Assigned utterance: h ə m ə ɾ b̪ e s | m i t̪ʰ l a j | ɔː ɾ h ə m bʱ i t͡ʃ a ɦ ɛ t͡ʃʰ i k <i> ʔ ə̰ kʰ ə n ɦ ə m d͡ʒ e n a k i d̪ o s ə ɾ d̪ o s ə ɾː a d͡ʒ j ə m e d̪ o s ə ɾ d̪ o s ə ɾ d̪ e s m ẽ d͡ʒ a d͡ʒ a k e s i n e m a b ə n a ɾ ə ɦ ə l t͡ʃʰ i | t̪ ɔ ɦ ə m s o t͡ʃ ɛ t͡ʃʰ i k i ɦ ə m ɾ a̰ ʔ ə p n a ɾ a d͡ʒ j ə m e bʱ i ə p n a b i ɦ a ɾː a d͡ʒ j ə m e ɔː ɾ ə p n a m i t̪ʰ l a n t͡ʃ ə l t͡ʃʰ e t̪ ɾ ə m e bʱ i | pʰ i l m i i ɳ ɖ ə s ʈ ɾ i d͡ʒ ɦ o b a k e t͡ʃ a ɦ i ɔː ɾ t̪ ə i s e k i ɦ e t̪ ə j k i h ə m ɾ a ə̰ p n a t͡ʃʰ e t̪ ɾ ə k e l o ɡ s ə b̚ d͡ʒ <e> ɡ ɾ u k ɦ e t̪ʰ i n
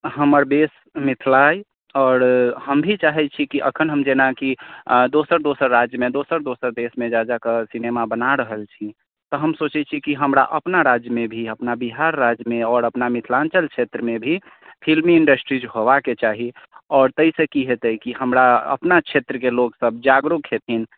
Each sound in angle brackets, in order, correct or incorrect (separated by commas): correct, incorrect